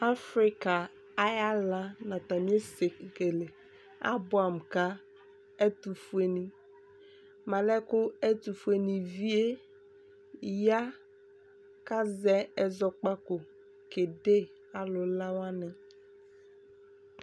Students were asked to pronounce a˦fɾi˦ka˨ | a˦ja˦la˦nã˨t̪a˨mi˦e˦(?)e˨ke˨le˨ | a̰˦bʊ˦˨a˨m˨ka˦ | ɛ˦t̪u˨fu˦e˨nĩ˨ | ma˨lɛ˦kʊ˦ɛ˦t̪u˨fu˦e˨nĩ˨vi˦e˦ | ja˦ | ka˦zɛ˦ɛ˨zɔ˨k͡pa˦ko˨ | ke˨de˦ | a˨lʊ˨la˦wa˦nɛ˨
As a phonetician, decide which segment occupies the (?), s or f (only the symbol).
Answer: s